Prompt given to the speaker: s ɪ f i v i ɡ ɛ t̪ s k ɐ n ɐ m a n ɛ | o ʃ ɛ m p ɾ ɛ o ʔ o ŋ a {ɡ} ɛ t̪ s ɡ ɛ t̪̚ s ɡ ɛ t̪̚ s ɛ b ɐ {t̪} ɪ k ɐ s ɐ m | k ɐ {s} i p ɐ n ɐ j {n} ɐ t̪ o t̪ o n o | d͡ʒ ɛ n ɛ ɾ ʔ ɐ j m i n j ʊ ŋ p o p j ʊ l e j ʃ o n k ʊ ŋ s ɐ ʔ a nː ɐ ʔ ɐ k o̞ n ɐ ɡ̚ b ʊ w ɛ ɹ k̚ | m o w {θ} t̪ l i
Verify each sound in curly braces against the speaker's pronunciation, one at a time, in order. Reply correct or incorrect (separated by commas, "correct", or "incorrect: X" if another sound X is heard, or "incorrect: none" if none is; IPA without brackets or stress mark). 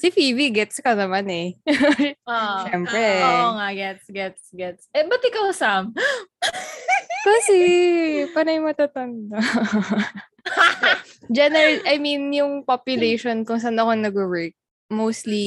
correct, correct, correct, incorrect: m, incorrect: s